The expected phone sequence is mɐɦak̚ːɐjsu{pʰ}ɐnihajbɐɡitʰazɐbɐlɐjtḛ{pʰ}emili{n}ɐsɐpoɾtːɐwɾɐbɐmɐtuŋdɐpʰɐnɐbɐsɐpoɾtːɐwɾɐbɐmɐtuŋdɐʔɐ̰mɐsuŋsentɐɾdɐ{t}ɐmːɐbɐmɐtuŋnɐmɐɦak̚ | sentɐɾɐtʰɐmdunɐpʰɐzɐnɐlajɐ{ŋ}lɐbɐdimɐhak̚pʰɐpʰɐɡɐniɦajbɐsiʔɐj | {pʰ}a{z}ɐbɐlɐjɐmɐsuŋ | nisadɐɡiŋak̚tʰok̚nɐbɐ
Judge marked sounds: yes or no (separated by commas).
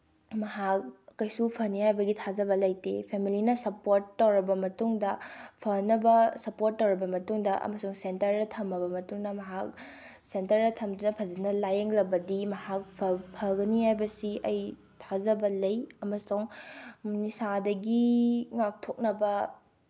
yes, yes, yes, no, yes, no, yes